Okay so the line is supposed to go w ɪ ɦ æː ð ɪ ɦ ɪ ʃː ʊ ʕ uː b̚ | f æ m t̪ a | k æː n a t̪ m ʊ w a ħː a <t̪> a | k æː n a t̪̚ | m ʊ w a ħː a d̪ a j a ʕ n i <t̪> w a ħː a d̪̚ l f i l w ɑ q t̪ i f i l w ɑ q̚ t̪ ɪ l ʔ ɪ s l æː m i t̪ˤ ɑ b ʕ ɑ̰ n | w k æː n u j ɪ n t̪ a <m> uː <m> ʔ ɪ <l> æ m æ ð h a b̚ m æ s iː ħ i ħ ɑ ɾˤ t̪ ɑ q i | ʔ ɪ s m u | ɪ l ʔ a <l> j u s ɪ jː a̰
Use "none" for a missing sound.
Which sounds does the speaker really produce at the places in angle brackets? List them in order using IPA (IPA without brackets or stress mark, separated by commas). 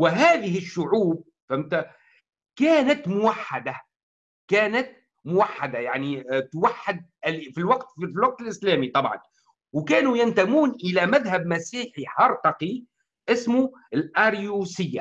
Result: d̪, t̪, m, n, l, ɾ